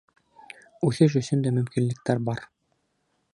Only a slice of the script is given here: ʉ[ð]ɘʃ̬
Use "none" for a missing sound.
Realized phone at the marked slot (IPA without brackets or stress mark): θ